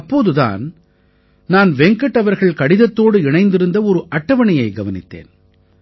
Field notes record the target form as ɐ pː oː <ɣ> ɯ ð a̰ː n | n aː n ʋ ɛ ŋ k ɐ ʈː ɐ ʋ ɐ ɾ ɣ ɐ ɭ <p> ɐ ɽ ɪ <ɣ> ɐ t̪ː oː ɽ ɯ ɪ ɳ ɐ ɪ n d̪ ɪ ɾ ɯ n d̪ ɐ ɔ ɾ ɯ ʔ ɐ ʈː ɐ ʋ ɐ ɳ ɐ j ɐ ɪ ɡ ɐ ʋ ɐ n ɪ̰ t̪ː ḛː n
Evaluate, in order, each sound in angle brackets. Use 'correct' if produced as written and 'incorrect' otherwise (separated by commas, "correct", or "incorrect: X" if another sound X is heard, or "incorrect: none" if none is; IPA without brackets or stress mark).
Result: incorrect: ð, incorrect: k, incorrect: ð